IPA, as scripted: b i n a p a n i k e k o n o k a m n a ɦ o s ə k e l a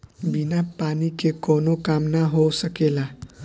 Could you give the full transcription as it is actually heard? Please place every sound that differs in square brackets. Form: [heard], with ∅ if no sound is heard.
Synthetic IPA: b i n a p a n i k e k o n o k a m n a ɦ o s ə k e l a